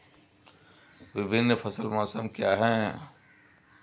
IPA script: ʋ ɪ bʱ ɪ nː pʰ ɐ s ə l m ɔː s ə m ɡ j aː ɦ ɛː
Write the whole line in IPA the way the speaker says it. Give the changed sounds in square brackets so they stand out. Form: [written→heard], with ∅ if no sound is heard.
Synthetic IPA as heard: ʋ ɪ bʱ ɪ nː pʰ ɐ s ə l m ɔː s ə m [ɡ→k] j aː ɦ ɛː